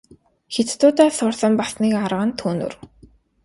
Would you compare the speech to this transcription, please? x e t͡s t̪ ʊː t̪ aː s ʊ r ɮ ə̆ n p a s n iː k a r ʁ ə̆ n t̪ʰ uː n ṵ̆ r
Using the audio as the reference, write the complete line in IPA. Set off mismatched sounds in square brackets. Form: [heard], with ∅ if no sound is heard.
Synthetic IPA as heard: x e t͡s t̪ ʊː t̪ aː s ʊ r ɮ ə̆ [m] p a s n iː k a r ʁ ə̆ n t̪ʰ uː n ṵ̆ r